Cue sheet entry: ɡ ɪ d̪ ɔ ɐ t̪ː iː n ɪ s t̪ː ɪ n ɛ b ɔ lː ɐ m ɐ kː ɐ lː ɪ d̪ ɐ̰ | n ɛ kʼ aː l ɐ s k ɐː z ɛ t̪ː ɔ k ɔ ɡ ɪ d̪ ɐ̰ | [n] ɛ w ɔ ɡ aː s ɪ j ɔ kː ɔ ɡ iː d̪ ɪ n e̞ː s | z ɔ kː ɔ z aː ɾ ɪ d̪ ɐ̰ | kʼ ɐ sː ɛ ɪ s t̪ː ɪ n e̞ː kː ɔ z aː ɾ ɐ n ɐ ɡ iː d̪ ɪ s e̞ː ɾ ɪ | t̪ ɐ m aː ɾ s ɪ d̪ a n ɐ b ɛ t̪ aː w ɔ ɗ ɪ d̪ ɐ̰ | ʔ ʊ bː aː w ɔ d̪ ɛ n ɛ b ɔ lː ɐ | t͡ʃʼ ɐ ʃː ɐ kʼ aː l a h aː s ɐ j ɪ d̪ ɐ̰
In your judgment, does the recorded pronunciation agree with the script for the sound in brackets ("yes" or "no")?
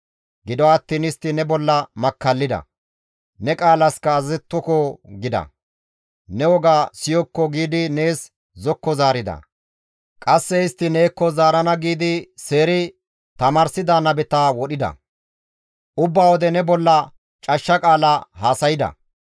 yes